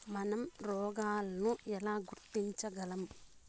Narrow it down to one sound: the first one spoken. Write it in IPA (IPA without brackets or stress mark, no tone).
m